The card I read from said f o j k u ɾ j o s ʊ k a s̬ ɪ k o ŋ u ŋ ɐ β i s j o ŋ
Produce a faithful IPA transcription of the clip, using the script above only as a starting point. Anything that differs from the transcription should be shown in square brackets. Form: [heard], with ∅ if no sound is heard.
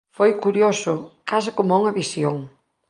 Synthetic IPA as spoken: f o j k u ɾ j o s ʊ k a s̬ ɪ k o [m] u ŋ ɐ β i s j o ŋ